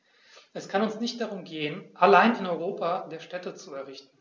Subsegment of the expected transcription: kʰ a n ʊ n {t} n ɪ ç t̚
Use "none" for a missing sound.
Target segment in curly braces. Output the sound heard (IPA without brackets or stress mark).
s